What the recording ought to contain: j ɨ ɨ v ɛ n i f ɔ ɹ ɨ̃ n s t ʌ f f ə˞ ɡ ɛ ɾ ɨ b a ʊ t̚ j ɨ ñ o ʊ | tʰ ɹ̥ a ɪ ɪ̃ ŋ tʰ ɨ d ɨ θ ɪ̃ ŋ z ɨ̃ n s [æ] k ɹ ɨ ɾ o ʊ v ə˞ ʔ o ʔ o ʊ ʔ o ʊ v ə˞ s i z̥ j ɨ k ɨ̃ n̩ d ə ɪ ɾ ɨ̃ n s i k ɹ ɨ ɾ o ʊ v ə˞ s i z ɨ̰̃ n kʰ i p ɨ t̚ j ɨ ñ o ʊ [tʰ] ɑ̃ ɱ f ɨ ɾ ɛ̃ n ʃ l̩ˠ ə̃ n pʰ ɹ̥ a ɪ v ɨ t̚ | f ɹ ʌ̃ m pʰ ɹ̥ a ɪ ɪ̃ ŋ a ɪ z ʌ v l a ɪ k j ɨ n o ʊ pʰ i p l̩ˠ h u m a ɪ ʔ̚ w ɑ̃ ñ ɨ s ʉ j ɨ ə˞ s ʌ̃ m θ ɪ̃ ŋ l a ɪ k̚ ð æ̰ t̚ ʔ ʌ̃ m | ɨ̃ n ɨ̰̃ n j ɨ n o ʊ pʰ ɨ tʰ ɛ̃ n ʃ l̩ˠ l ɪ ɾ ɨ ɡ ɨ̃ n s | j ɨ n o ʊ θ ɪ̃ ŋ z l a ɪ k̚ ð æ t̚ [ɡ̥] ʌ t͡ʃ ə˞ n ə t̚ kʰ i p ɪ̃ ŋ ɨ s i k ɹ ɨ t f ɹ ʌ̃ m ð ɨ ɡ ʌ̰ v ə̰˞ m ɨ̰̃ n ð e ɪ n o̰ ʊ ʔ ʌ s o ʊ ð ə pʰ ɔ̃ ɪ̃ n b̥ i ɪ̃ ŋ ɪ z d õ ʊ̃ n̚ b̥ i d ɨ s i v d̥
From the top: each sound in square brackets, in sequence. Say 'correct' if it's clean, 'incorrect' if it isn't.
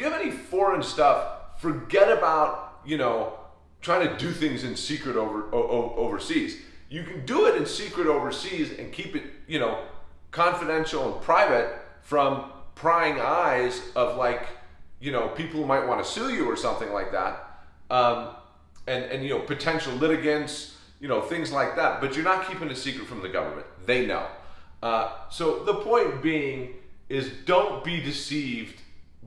incorrect: i, incorrect: kʰ, incorrect: b̥

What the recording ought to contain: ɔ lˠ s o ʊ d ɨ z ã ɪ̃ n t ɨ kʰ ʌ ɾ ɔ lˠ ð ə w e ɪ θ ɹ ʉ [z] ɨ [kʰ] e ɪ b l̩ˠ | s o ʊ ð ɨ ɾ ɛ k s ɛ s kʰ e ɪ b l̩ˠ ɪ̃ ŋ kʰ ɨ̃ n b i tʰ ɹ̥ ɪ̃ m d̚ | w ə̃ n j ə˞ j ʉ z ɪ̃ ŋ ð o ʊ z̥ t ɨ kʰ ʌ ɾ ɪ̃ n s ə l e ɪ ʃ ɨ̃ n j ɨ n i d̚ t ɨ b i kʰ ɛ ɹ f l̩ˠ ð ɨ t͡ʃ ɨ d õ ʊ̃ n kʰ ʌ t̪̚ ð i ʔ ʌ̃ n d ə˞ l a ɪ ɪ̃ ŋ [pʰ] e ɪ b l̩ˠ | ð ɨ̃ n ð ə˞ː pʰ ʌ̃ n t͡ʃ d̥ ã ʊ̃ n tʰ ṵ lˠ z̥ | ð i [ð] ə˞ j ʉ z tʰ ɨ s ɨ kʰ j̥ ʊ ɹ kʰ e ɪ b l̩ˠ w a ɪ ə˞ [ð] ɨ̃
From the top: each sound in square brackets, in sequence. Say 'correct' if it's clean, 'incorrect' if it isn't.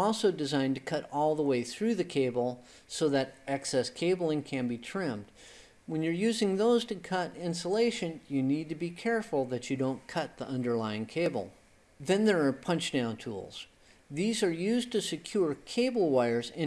incorrect: ð, correct, incorrect: kʰ, incorrect: z, incorrect: z

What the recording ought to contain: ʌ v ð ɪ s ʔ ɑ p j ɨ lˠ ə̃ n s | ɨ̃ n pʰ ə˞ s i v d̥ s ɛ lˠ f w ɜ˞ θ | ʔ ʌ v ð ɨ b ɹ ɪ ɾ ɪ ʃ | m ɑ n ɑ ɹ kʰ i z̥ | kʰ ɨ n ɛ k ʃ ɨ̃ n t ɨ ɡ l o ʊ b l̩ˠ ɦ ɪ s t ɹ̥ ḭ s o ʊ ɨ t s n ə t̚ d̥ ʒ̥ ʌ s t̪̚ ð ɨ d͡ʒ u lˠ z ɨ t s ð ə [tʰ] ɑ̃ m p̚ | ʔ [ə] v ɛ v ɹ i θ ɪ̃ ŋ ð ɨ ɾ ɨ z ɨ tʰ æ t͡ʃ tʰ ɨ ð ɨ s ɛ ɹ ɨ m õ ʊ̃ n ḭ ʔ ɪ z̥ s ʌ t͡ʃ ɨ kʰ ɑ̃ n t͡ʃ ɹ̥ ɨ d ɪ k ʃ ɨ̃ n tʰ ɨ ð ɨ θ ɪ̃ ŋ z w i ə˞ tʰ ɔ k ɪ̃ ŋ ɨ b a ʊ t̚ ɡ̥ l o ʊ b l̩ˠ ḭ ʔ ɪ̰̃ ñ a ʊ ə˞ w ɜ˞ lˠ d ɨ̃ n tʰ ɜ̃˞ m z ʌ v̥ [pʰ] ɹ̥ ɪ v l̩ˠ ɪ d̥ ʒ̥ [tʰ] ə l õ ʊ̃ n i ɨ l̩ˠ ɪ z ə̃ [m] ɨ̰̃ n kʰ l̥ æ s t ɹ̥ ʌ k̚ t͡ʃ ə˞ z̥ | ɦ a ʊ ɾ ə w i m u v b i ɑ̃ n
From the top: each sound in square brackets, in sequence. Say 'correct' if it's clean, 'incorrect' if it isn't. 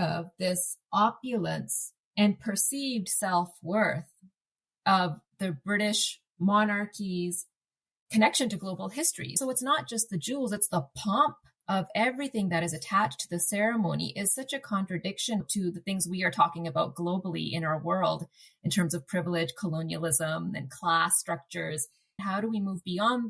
incorrect: pʰ, incorrect: ʌ, correct, incorrect: kʰ, correct

